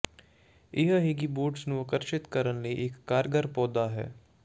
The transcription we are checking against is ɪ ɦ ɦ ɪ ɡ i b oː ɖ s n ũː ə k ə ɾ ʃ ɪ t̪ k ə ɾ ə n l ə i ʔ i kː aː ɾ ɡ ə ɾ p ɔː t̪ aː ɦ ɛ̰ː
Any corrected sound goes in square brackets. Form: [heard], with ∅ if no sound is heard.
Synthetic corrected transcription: ɪ ɦ ɦ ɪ ɡ i b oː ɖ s n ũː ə k ə ɾ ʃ ɪ t̪ k ə ɾ ə n l ə i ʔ [ɪ] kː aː ɾ ɡ ə ɾ p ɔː [d̪] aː ɦ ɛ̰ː